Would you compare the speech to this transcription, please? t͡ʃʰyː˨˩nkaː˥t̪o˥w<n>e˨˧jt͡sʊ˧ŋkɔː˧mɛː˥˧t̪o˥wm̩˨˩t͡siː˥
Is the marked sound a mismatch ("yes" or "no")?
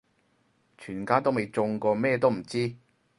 yes